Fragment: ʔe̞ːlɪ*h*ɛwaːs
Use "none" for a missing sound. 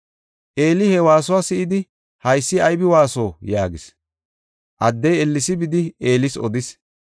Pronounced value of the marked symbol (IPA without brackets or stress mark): h